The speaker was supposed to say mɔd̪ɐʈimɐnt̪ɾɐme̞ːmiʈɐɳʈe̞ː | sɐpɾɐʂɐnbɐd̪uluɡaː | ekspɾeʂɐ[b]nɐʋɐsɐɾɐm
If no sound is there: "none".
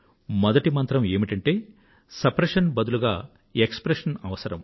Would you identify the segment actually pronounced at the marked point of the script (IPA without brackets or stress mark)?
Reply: none